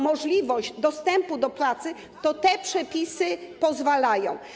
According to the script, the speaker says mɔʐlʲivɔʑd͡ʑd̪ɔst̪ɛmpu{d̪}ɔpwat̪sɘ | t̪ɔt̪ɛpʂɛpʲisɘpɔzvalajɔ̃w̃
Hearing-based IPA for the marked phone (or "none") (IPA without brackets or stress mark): d̪